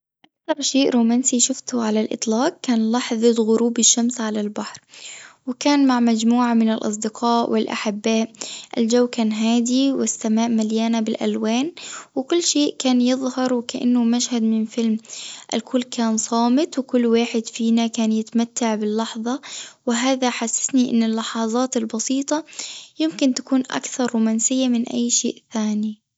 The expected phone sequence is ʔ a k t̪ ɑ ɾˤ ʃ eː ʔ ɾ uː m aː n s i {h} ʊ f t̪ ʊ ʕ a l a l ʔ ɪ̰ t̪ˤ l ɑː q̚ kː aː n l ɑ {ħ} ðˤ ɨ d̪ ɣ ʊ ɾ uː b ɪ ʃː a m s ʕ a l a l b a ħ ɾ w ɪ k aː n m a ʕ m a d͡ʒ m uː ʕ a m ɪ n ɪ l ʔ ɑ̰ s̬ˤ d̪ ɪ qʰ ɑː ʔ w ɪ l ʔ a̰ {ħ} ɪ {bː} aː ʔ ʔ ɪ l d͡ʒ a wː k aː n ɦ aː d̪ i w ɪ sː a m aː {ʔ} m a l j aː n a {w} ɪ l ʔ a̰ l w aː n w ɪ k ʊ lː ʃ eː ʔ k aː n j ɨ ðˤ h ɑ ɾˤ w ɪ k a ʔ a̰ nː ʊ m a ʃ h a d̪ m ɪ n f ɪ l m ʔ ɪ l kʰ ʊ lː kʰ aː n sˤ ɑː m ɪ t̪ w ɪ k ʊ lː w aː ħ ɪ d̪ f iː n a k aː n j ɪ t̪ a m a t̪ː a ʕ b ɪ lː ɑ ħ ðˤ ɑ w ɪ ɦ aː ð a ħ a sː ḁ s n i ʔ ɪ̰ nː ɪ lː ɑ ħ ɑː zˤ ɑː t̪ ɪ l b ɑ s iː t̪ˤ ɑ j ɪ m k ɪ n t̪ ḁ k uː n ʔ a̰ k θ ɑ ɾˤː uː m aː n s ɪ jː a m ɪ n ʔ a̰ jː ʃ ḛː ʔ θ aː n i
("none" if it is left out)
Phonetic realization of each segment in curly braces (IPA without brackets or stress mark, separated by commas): ʃ, ħ, ħ, bː, ʔ, b